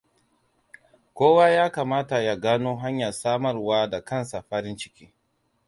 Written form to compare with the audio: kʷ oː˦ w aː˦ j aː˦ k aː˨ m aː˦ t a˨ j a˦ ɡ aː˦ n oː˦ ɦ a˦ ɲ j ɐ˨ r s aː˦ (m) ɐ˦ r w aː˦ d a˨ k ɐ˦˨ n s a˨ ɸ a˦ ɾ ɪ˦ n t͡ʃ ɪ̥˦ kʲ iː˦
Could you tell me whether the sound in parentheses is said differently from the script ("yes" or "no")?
no